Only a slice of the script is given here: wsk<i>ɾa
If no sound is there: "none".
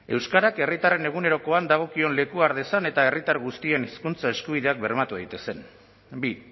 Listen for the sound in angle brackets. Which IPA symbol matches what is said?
a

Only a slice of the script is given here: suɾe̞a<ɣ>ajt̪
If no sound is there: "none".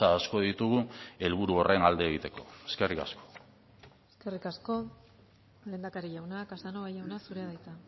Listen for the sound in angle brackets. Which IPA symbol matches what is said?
ð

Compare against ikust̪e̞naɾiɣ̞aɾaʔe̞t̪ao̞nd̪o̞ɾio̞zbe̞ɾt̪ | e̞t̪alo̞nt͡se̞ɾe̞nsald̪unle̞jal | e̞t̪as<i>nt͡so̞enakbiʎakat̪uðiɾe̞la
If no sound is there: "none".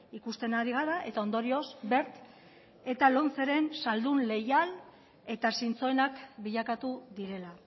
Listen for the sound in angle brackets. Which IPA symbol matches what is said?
i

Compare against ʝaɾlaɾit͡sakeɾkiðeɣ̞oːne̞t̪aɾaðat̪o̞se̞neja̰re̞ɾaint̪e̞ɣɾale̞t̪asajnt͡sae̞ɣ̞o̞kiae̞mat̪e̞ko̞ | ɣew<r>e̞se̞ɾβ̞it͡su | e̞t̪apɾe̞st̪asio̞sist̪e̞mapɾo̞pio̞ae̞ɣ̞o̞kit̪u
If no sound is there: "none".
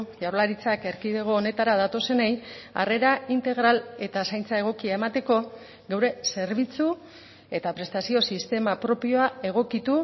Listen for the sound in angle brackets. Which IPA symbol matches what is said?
ɾ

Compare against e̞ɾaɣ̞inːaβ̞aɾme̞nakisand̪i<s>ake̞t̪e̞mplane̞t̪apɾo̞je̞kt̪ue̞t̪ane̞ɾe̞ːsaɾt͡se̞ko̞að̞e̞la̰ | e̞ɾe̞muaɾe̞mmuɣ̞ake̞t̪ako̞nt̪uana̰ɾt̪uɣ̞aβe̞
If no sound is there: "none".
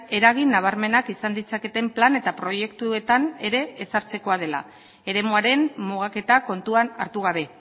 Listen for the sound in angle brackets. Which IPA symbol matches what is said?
t͡s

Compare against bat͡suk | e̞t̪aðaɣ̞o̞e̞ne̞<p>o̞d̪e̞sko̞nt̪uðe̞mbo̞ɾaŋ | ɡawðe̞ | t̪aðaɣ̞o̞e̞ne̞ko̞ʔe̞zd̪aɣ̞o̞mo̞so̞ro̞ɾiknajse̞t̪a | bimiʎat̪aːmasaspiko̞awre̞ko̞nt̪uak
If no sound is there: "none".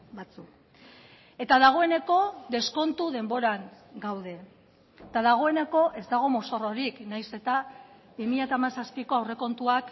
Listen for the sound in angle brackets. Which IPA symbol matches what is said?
k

